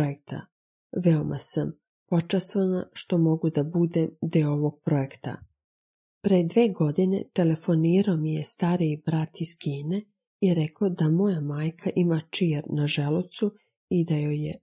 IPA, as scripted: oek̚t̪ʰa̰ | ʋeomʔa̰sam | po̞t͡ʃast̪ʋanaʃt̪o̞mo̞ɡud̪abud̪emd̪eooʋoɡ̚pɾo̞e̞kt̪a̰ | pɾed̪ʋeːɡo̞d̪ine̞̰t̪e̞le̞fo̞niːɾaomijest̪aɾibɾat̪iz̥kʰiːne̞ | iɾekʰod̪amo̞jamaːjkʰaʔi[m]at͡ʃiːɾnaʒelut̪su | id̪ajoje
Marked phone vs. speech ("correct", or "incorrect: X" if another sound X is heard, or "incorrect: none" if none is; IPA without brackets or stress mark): correct